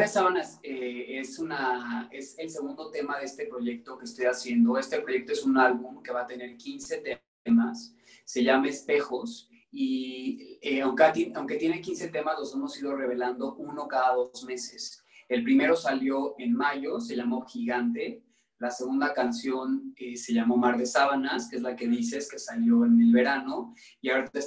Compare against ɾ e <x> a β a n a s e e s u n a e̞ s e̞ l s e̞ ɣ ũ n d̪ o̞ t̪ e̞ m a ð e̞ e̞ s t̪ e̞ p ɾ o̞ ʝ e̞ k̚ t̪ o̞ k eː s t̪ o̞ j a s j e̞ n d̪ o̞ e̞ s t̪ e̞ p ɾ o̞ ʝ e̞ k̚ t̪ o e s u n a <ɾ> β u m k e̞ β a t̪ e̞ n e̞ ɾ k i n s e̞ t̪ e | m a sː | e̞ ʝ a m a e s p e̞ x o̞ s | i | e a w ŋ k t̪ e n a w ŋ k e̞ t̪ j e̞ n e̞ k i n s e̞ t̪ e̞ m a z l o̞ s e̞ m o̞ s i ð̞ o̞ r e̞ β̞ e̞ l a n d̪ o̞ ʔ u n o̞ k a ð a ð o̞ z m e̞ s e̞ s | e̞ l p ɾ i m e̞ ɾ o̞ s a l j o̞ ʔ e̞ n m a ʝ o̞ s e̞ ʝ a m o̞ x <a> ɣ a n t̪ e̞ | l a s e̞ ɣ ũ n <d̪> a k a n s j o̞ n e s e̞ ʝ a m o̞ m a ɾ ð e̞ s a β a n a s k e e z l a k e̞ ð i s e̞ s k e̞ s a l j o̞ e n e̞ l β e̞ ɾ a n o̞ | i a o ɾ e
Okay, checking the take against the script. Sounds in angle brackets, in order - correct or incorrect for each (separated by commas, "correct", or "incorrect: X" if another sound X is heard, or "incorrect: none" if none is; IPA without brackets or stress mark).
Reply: incorrect: s, incorrect: l, incorrect: i, correct